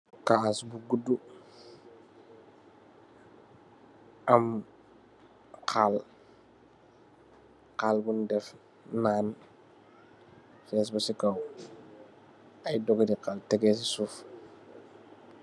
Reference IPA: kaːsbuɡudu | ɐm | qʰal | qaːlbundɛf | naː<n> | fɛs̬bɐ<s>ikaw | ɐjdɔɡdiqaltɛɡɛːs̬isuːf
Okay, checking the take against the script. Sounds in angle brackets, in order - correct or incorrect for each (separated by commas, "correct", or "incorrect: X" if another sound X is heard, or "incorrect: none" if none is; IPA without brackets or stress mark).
correct, correct